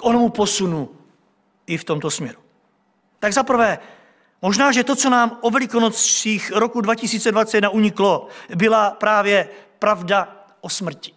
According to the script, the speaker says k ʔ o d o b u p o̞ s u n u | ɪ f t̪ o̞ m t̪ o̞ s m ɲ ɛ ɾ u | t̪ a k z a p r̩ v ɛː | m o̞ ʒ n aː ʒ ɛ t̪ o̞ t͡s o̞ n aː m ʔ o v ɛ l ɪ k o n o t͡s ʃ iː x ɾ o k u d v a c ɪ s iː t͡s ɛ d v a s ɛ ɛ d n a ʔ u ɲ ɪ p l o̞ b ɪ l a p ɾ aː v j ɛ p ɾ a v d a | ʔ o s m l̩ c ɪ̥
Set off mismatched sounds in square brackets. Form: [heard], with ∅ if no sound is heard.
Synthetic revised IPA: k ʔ o [n] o [m] u p o̞ s u n u | ɪ f t̪ o̞ m t̪ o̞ s m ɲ ɛ ɾ u | t̪ a [ɡ] z a p r̩ v ɛː | m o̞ ʒ n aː ʒ ɛ t̪ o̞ t͡s o̞ n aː m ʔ o v ɛ l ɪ k o n o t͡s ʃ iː x ɾ o k u d v a c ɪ s iː t͡s ɛ d v a [t͡s] ɛ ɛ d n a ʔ u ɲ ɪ [k] l o̞ b ɪ l a p ɾ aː v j ɛ p ɾ a v d a | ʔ o s m [r̩] c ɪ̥